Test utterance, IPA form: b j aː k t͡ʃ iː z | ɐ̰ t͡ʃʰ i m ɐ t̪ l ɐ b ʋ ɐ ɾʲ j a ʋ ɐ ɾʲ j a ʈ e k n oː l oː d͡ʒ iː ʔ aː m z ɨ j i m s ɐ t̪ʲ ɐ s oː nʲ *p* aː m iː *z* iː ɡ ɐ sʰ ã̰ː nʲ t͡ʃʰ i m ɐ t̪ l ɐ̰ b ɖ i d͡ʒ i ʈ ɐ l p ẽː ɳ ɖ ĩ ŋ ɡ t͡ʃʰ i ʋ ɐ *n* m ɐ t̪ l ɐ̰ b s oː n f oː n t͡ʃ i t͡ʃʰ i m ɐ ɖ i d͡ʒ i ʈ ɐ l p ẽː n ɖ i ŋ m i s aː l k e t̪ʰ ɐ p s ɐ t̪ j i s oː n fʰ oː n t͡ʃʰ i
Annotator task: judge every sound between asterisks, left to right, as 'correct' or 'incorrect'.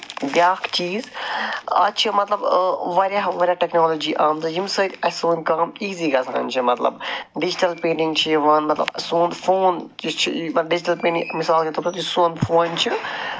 incorrect, correct, correct

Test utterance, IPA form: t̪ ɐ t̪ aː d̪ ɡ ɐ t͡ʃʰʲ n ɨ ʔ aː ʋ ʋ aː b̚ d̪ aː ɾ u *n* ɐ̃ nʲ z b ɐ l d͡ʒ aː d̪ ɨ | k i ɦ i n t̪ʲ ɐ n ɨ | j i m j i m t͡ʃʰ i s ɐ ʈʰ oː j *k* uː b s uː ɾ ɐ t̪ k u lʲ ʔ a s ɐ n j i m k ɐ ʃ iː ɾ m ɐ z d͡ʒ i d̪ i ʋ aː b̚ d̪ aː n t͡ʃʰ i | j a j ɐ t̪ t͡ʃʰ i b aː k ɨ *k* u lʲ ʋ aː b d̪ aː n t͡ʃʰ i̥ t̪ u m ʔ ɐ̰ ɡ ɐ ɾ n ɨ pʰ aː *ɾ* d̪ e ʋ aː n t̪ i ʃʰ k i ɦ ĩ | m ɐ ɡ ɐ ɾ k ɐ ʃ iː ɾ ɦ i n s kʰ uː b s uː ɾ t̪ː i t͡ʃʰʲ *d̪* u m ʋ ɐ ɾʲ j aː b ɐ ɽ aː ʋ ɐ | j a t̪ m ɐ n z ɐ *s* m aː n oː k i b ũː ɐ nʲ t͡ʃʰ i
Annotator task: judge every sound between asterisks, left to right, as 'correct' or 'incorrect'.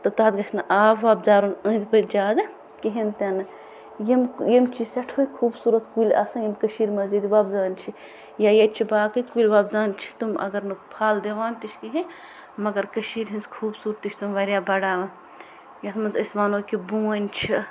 correct, incorrect, correct, incorrect, incorrect, correct

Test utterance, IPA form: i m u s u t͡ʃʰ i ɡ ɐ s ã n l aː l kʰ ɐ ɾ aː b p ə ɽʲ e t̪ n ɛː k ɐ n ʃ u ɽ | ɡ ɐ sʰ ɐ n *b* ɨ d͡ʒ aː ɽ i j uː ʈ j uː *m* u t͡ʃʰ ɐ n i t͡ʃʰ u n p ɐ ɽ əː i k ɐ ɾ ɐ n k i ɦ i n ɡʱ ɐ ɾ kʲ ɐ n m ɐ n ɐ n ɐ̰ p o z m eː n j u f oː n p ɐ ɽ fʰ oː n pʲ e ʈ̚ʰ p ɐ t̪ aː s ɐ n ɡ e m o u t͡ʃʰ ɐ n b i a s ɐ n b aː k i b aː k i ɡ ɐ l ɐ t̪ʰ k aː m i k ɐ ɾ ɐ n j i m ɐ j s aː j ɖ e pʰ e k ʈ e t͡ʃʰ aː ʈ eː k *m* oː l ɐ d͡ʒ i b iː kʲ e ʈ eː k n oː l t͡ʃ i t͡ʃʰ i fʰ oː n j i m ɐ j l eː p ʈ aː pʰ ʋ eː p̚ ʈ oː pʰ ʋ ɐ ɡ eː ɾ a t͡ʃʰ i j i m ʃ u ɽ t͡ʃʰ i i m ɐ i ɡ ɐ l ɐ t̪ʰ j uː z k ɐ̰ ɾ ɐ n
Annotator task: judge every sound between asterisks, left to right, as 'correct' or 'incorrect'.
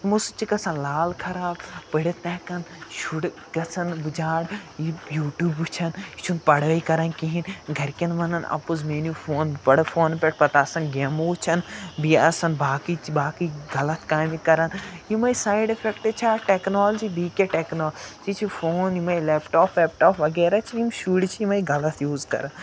correct, incorrect, incorrect

